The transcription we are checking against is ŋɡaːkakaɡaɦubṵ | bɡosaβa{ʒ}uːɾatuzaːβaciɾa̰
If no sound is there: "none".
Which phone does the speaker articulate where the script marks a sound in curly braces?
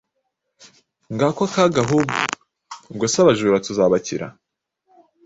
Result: ʒ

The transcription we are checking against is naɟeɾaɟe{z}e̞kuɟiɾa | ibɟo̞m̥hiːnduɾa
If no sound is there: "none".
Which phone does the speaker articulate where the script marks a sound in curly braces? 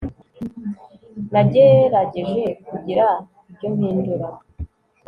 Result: ʒ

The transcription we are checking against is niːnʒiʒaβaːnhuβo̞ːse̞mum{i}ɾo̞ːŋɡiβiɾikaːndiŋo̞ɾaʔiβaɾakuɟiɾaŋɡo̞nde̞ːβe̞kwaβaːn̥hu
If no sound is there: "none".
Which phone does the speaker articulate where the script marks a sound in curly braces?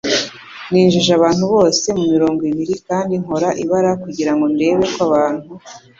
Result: i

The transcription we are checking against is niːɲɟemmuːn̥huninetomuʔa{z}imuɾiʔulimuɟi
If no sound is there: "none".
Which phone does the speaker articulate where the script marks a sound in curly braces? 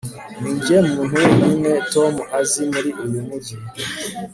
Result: z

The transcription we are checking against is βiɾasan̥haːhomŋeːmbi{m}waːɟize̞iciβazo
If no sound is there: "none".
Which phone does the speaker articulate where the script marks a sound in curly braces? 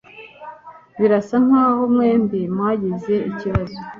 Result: m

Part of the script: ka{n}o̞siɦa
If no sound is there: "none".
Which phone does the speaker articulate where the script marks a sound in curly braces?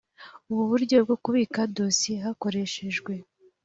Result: d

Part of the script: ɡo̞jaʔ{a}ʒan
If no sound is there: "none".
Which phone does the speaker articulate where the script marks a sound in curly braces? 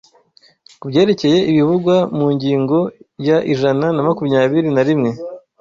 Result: i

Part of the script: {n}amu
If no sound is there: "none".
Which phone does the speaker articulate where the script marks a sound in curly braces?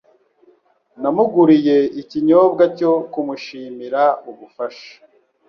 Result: n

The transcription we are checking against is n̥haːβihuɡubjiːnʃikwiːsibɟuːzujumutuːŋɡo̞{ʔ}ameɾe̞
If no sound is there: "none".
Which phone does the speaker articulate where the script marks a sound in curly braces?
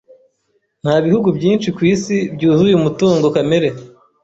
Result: k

